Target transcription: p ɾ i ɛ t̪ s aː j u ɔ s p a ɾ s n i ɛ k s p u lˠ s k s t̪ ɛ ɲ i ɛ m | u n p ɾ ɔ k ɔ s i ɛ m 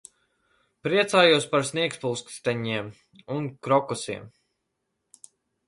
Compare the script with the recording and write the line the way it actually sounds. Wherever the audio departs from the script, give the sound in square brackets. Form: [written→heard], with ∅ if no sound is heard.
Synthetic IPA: p ɾ i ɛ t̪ s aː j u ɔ s p a ɾ s n i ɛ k s p u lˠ s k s t̪ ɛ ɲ i ɛ m | u n [p→k] ɾ ɔ k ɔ s i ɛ m